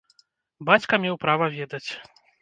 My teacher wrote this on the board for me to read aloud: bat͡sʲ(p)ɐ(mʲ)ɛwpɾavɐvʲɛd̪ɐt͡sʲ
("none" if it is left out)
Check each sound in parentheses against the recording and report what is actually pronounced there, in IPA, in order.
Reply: k, mʲ

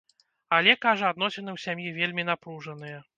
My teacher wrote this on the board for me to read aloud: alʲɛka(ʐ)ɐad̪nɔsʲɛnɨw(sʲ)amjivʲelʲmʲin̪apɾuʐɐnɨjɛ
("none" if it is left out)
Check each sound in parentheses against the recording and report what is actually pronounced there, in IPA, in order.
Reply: ʐ, sʲ

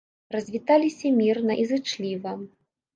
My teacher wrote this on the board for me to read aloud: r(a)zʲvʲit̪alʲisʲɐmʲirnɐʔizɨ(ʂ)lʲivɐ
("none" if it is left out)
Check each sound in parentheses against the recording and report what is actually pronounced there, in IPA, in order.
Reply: ɐ, t͡ʂ

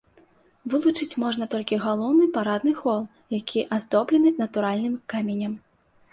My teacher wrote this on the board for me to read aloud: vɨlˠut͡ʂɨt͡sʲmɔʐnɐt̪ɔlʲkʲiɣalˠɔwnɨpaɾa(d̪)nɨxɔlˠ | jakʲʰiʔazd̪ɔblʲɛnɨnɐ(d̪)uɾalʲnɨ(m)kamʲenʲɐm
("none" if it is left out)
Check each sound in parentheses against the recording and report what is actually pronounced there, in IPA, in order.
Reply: d̪, t̪, m

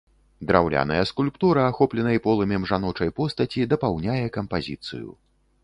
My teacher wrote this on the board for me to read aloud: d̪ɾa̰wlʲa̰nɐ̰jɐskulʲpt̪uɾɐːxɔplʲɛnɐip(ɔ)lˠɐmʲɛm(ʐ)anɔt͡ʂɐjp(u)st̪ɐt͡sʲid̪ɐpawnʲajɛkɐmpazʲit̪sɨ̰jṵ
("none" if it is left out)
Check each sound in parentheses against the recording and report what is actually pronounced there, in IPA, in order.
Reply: ɔ, ʐ, ɔ

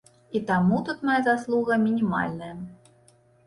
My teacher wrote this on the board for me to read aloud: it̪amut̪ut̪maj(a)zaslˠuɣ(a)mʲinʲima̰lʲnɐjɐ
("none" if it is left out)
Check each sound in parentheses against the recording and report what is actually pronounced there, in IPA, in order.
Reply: a, ɐ

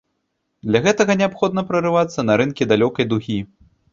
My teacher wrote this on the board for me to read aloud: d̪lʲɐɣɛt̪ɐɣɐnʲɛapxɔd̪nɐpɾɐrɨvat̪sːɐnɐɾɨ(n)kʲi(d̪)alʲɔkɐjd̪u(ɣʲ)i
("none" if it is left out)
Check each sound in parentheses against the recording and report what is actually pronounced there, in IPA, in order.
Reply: n, d̪, ɣʲ

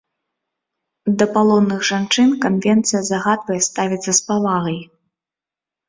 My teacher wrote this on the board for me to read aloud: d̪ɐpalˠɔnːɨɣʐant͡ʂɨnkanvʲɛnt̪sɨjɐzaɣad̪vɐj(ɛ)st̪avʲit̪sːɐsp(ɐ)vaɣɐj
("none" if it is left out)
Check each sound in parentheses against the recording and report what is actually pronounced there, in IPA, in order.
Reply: ɛ, a

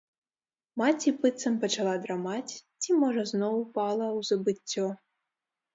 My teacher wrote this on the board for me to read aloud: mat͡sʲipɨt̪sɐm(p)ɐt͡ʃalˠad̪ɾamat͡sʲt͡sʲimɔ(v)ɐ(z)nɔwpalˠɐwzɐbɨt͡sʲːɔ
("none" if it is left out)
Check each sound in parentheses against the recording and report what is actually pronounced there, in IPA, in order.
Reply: p, ʐ, z

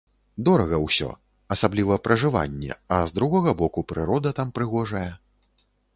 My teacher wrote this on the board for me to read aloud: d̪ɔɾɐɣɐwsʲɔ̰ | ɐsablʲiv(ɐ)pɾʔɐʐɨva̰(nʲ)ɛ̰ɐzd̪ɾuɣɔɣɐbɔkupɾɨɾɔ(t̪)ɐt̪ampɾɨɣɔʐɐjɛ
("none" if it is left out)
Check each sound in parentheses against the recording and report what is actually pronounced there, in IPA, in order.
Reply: ɐ, nʲː, d̪

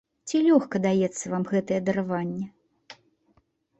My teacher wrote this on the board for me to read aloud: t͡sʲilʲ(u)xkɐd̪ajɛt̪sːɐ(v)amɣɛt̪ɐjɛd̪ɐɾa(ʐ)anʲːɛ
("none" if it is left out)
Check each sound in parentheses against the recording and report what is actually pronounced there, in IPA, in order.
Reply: ɔ, v, v

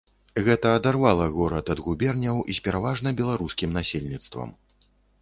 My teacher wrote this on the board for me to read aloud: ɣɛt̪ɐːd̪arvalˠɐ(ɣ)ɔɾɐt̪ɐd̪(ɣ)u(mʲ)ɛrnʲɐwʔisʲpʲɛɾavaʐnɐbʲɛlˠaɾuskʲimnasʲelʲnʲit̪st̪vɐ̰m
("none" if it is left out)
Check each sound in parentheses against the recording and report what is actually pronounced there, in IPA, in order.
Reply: ɣ, ɣ, bʲ

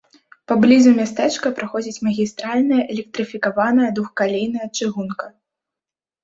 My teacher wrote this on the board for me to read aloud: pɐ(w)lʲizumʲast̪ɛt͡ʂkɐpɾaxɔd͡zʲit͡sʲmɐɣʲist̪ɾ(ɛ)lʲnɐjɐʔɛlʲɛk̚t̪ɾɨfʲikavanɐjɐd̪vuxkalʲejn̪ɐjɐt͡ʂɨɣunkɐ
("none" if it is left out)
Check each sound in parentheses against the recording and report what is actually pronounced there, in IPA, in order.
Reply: b, a

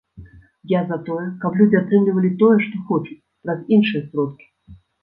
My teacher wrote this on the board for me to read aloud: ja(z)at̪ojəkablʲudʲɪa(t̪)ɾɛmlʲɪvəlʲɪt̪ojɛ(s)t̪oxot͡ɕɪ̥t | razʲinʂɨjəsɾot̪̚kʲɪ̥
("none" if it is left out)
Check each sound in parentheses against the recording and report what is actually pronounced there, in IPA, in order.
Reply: z, t̪, ʂ

